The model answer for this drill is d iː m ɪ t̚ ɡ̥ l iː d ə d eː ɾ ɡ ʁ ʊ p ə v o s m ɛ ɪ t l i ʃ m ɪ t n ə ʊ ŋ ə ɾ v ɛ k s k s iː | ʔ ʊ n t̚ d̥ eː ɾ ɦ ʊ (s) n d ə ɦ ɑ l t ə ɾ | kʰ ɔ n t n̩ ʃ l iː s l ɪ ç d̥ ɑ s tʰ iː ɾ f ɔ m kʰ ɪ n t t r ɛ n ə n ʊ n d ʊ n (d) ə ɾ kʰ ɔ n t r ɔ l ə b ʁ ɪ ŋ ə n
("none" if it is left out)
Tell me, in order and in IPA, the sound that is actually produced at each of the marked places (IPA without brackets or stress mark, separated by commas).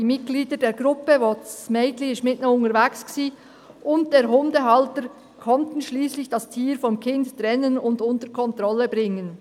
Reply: none, t